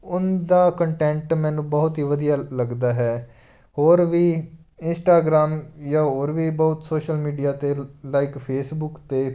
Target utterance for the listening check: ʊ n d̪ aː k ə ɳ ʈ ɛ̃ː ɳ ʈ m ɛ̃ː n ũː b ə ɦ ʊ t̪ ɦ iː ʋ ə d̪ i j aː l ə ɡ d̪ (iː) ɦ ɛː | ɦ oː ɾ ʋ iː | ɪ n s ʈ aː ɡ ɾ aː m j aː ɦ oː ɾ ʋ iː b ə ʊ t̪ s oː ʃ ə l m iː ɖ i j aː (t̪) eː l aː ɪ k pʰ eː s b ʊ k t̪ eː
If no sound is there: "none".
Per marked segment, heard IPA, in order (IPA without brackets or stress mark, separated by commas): aː, t̪